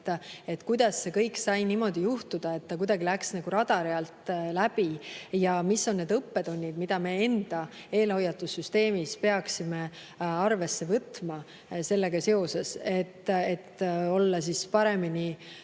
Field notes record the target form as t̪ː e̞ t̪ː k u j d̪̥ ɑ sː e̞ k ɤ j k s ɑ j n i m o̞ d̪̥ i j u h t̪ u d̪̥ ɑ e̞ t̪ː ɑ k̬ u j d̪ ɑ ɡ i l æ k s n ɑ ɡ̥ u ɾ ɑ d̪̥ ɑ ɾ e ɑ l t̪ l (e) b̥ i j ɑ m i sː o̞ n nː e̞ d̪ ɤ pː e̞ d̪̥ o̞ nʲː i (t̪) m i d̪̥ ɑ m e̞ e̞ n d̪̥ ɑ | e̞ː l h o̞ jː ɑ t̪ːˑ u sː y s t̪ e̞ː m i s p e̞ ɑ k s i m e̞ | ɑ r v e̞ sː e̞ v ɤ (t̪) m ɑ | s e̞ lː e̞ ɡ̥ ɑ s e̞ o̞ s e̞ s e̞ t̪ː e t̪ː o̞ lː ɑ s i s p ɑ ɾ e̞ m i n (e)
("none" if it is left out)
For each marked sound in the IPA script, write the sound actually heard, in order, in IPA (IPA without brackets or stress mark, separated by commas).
æ, d̪, t̪, i